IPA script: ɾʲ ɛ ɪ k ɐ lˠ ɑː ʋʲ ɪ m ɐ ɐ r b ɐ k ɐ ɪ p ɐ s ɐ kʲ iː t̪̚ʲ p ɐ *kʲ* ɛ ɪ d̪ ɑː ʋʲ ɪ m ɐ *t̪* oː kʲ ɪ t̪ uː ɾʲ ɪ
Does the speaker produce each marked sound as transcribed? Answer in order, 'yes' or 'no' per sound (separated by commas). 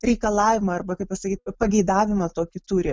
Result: no, yes